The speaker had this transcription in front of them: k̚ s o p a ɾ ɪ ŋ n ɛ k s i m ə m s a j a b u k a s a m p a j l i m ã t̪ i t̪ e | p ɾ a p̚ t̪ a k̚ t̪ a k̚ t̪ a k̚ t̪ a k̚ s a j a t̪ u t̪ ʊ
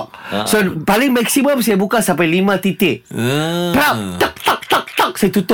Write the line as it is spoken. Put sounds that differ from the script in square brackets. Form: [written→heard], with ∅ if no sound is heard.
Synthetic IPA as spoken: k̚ s o p a [ɾ→l] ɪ ŋ [n→m] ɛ k s i m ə m s a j a b u k a s a m p a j l i m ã t̪ i t̪ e | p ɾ a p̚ t̪ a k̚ t̪ a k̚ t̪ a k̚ t̪ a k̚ s a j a t̪ u t̪ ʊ